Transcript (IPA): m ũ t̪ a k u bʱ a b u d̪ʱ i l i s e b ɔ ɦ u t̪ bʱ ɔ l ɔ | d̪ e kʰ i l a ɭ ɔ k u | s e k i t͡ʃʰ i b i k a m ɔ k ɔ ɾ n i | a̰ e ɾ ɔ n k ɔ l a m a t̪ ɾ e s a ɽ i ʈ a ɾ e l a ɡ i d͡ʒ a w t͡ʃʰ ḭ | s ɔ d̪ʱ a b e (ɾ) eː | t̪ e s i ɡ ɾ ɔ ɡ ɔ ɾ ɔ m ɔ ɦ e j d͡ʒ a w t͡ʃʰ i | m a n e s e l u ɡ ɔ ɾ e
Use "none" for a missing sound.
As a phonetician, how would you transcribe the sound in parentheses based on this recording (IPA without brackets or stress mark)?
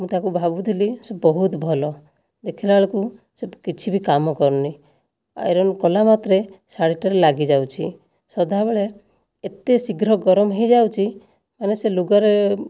ɭ